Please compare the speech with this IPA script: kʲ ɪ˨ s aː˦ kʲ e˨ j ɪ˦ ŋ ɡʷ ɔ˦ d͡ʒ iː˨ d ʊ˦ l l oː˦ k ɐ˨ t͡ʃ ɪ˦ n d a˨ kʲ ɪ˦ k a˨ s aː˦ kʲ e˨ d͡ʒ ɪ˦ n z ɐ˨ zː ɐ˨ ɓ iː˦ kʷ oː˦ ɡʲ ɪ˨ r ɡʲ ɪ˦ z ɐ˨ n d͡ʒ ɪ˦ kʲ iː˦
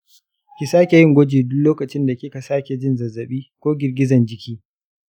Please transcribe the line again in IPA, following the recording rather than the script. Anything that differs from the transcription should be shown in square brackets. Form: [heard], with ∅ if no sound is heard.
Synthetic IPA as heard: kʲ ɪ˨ s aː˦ kʲ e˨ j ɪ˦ ŋ ɡʷ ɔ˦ d͡ʒ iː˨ d ʊ˦ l l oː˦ k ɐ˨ t͡ʃ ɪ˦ n d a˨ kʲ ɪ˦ k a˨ s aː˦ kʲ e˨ d͡ʒ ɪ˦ n z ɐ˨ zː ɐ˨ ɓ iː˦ kʷ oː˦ ɡʲ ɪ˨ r ɡʲ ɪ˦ z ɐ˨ n d͡ʒ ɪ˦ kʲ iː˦